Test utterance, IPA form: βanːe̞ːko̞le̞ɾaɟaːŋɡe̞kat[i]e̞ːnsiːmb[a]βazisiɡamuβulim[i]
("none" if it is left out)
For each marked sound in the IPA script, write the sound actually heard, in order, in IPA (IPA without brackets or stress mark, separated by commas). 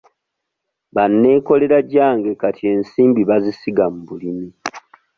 i, i, i